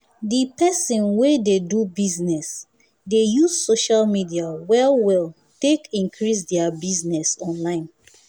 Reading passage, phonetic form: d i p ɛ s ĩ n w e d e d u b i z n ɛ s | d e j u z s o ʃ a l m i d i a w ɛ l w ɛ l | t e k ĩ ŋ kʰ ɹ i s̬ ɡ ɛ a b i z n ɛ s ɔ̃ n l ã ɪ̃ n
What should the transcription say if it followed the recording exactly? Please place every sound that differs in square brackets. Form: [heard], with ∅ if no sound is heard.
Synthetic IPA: d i p ɛ s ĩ n w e d e d u b i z n ɛ s | d e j u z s o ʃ a l m i d i a w ɛ l w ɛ l | t e k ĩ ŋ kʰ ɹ i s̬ [d] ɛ a b i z n ɛ s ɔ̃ n l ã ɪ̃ n